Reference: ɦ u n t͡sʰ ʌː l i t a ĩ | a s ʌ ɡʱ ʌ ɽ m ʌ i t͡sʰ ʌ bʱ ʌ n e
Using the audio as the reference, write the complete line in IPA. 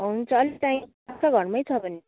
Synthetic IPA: ɦ u n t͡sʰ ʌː l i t a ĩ | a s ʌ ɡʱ ʌ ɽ m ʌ j t͡sʰ ʌ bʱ ʌ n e